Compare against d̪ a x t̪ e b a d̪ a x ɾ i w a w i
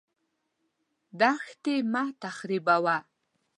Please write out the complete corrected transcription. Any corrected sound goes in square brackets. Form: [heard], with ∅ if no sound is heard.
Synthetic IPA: d̪ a x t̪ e [m] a [t̪] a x ɾ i [b] a w [a]